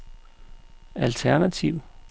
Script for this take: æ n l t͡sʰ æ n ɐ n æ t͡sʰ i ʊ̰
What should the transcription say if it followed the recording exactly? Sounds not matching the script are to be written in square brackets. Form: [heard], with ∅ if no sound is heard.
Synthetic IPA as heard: æ [∅] l t͡sʰ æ [∅] ɐ n æ t͡sʰ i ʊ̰